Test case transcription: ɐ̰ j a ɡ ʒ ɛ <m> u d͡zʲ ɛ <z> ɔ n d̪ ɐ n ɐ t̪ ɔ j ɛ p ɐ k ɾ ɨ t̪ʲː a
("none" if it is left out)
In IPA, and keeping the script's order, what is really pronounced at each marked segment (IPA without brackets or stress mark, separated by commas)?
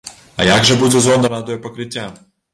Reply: b, z